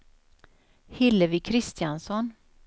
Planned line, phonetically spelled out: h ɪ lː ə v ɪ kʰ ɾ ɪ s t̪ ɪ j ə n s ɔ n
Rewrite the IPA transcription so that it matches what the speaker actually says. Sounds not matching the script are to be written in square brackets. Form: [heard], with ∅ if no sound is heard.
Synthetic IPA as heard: h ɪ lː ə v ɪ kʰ ɾ ɪ s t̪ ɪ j [a] n s ɔ n